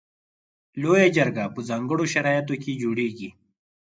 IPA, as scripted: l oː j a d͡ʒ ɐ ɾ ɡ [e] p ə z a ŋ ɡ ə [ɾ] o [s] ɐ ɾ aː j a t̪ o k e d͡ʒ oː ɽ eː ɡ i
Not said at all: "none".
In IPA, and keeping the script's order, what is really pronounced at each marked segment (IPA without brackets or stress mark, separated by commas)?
a, ɽ, ʃ